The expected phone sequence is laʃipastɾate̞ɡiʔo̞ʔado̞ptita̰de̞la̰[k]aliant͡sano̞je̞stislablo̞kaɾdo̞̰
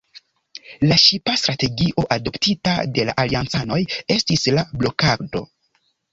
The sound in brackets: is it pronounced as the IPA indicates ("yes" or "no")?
no